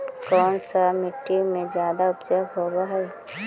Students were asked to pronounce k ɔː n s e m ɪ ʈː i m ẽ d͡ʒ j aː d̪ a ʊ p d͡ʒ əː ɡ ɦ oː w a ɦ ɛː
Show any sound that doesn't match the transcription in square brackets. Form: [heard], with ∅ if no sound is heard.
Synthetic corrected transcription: k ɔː n s [a] m ɪ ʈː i m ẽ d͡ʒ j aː d̪ a ʊ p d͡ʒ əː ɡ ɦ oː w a ɦ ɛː